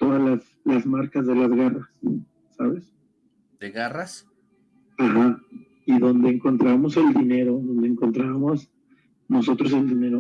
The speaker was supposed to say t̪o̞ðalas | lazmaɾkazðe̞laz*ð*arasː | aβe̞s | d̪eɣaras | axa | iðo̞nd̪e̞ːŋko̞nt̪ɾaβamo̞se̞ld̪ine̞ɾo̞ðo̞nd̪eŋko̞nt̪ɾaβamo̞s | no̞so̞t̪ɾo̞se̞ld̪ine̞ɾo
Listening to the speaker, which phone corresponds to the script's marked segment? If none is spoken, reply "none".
ɣ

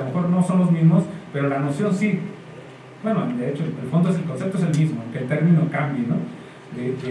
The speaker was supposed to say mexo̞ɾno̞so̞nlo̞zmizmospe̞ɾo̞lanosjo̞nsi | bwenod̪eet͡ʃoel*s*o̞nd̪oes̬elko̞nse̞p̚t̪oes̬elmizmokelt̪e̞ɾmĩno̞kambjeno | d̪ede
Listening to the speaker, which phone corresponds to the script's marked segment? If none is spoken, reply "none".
f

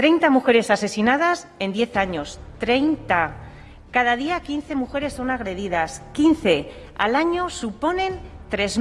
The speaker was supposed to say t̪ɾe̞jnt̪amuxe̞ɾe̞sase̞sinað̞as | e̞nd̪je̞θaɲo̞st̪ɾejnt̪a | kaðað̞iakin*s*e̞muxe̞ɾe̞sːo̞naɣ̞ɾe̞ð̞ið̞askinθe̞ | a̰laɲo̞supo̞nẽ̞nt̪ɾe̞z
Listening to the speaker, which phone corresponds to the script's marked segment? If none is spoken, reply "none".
θ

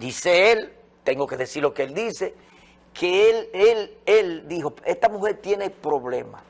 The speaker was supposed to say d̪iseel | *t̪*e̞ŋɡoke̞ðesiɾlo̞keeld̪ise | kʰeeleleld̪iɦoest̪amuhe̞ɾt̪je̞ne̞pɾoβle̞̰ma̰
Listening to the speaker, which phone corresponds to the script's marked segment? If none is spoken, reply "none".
t̪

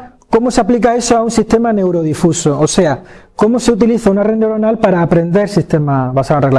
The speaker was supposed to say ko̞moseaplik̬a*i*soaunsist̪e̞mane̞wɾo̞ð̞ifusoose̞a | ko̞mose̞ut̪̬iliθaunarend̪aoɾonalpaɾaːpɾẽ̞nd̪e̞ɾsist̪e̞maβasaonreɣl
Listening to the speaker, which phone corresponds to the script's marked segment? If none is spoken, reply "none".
e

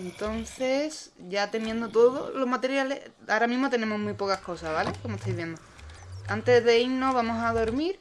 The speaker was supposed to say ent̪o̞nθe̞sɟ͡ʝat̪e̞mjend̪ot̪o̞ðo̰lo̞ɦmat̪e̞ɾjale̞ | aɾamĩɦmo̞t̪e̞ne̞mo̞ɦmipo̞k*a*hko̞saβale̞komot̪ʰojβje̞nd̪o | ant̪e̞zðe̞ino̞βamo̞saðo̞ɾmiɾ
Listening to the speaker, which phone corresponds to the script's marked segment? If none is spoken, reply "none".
a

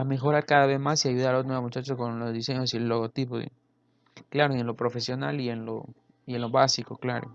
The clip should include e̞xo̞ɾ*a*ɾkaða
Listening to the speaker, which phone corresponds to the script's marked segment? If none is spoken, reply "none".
a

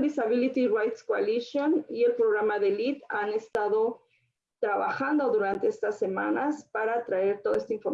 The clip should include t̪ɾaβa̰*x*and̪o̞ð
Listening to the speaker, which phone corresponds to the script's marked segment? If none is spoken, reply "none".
x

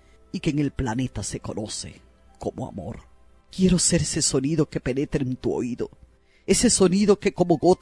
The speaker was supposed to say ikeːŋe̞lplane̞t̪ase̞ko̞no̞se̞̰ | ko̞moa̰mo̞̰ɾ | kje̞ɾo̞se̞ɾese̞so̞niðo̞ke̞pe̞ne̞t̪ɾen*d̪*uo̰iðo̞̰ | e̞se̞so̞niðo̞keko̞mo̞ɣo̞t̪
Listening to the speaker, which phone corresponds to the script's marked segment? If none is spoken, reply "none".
t̪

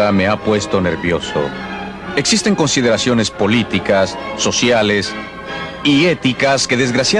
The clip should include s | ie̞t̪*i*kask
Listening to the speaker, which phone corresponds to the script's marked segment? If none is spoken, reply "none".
i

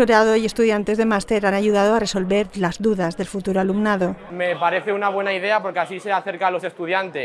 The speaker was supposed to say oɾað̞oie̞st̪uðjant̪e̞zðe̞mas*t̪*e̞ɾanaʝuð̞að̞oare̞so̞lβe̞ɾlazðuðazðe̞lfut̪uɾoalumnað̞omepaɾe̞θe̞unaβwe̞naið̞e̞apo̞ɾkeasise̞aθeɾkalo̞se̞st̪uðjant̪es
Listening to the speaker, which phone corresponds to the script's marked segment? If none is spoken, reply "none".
t̪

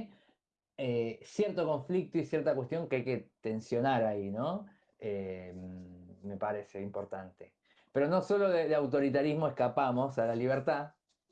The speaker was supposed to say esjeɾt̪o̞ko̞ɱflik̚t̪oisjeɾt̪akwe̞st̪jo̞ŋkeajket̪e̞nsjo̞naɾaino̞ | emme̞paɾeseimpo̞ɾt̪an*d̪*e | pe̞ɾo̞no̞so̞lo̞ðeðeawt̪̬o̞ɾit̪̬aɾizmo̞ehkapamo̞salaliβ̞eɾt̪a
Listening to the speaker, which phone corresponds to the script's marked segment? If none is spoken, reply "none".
t̪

